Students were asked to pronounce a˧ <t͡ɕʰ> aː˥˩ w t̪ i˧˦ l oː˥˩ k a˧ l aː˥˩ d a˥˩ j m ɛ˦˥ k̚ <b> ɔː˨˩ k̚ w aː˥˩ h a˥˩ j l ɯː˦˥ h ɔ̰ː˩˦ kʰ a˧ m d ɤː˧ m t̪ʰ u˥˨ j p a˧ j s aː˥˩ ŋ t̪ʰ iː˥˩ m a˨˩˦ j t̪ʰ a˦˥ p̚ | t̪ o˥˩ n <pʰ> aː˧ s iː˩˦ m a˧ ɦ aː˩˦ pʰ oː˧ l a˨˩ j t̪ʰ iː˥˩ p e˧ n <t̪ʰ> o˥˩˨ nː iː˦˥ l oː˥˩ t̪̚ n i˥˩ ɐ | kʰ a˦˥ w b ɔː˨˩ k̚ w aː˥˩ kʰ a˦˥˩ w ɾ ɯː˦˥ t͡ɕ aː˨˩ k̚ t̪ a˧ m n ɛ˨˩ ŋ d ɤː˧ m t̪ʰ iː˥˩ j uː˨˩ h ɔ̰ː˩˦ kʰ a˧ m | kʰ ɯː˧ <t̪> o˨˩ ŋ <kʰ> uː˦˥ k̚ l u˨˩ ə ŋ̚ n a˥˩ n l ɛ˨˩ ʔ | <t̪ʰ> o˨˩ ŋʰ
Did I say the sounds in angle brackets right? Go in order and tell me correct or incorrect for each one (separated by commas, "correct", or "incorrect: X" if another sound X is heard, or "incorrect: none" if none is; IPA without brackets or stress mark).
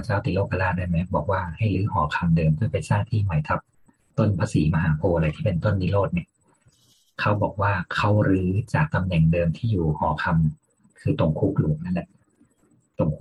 incorrect: t͡ɕ, correct, correct, incorrect: t̪, correct, correct, incorrect: t̪